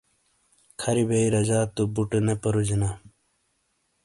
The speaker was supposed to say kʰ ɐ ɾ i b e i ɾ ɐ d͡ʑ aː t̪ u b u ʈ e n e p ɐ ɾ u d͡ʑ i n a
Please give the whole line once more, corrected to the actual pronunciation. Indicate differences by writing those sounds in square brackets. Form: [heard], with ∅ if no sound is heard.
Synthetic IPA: kʰ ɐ ɾ i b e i ɾ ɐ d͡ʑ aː t̪ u b u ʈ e n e p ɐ ɾ u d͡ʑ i n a